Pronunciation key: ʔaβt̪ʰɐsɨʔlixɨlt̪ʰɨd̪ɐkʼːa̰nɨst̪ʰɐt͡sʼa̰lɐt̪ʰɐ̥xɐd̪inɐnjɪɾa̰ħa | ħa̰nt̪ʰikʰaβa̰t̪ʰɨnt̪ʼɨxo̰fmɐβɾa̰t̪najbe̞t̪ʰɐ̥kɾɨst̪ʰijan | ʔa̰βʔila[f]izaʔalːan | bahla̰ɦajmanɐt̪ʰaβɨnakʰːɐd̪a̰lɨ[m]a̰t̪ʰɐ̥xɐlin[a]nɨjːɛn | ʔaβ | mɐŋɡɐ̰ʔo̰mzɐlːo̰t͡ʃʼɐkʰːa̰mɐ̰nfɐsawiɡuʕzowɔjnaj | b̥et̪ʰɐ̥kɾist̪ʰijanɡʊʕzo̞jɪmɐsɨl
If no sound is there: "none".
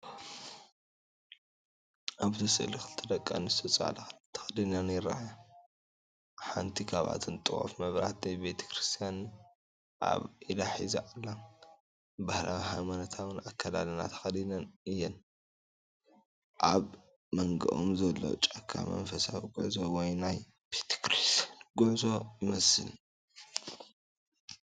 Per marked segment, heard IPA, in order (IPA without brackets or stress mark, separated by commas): ħ, n, ɐ